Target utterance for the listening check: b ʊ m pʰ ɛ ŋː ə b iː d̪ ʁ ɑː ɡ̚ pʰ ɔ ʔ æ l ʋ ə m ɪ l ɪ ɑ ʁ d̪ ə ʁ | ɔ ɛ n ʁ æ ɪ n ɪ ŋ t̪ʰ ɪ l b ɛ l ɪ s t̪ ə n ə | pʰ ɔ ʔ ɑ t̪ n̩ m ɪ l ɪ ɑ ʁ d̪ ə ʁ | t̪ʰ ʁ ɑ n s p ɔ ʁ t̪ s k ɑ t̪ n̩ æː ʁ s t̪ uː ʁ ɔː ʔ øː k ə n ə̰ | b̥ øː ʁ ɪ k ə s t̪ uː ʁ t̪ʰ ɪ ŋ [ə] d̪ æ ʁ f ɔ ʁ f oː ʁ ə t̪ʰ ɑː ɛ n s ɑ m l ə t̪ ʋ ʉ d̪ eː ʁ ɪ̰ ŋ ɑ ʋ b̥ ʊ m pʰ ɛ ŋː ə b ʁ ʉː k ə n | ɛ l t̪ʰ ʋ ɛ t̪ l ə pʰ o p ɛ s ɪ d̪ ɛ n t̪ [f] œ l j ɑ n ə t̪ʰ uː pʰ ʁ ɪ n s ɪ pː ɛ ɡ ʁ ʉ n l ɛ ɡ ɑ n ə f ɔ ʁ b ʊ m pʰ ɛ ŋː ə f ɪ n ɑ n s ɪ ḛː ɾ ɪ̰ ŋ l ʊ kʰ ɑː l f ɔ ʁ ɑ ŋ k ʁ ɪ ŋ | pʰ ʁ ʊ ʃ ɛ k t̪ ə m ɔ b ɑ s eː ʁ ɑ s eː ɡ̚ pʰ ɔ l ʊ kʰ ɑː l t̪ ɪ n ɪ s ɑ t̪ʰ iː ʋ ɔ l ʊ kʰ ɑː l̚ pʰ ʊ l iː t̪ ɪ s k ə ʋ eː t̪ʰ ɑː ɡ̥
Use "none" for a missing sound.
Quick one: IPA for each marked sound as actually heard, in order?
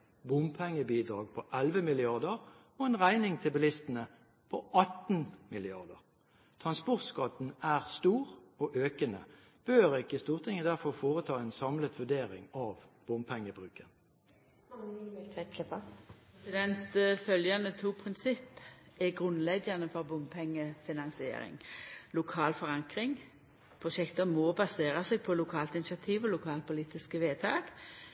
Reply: ə, f

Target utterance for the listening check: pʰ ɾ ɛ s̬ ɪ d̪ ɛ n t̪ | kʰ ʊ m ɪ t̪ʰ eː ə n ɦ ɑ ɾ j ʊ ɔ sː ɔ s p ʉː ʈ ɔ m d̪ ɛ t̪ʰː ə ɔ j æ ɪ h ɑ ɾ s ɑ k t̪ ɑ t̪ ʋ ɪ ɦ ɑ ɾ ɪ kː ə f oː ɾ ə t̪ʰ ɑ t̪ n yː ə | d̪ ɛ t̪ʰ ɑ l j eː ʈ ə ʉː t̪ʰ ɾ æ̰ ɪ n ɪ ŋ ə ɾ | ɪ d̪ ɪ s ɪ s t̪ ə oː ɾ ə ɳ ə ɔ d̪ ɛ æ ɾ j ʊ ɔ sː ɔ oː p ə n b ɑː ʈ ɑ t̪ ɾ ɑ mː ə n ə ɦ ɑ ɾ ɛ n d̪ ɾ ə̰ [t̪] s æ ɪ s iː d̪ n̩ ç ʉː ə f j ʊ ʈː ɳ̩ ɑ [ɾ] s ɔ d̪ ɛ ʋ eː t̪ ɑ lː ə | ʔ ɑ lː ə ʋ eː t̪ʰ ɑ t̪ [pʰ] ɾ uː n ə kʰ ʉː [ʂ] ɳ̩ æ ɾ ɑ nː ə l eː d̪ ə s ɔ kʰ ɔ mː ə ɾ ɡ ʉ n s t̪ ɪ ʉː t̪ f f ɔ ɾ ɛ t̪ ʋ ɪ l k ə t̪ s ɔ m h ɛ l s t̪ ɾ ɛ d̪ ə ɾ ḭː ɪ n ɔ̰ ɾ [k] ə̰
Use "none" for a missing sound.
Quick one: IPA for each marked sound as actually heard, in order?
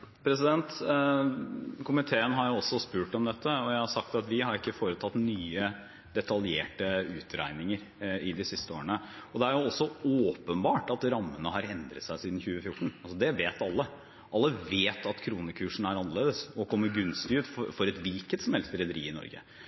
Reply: t̪, l, kʰ, ʂ, ɡ

